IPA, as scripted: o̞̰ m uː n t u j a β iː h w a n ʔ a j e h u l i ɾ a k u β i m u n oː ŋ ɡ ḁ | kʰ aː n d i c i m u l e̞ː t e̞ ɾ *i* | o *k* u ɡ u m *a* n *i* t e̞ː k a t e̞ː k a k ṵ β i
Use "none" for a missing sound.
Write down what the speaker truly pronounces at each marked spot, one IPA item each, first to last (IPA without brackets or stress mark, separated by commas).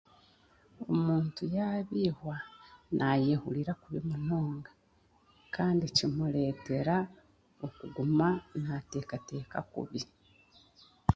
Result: a, k, a, a